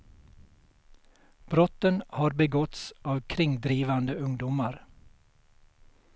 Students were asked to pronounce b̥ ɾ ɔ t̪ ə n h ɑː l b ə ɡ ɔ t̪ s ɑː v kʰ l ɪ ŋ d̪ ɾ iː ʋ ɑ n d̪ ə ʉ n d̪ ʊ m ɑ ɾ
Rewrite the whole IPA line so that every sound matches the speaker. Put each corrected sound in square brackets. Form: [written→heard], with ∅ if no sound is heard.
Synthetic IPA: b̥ ɾ ɔ t̪ ə n h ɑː [l→ɾ] b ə ɡ ɔ t̪ s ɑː [v→ʋ] kʰ [l→ɾ] ɪ ŋ d̪ ɾ iː ʋ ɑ n d̪ ə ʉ [n→ŋ] d̪ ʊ m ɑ ɾ